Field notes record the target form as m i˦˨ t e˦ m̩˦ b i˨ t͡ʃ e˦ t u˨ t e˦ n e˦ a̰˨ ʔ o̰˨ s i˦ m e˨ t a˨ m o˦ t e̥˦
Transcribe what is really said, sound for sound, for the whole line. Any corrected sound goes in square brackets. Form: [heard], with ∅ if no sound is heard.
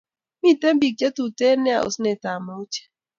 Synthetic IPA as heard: m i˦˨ t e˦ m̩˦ b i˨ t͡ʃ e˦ t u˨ t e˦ n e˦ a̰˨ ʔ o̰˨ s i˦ [n] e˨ t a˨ m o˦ [t͡ʃ] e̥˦